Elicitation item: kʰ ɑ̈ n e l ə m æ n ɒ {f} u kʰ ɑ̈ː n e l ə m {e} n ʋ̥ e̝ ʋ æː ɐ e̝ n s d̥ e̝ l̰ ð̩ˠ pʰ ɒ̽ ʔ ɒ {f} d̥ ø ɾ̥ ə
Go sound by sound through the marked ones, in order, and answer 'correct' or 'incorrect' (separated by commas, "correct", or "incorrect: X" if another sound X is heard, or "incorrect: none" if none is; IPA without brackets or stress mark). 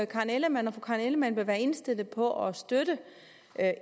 correct, incorrect: æ, incorrect: s